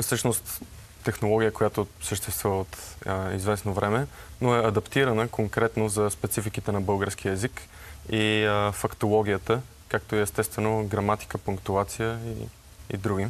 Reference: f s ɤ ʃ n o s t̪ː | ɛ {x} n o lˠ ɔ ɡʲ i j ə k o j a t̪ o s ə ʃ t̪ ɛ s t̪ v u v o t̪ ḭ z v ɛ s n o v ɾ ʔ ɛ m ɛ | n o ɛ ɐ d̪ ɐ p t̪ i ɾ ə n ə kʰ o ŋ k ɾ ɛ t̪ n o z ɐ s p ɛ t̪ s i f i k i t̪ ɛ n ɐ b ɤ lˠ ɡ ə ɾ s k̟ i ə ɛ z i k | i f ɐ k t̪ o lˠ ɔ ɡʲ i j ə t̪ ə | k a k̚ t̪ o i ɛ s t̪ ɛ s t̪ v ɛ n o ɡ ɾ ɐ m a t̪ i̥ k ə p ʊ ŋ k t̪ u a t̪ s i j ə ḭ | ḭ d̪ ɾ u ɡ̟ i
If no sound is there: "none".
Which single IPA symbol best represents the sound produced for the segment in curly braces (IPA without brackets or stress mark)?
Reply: x